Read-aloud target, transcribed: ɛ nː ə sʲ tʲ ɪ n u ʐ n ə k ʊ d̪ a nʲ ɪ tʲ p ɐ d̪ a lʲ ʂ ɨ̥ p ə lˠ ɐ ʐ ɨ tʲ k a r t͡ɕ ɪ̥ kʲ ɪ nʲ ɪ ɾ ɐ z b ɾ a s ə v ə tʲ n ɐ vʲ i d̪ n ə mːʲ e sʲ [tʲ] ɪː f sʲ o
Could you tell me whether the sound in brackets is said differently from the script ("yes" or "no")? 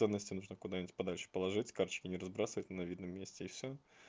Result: no